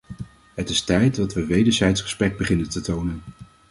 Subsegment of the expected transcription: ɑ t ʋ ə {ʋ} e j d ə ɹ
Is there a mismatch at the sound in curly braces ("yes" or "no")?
no